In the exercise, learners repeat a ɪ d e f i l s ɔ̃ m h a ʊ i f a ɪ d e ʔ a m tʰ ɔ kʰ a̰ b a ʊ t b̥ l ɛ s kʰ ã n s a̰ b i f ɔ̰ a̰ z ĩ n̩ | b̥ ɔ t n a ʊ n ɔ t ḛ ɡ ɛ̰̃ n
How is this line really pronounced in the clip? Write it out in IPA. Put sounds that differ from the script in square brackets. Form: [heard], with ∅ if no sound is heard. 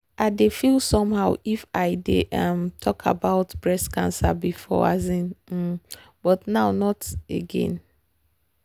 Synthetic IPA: a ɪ d e f i l s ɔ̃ m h a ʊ i f a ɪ d e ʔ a m tʰ ɔ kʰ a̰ b a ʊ t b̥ [ɹ] ɛ s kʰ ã n s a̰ b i f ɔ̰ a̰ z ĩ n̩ | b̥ ɔ t n a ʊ n ɔ t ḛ ɡ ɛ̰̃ n